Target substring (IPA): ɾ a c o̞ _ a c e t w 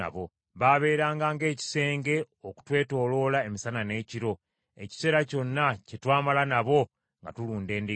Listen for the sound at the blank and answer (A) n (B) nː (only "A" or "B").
B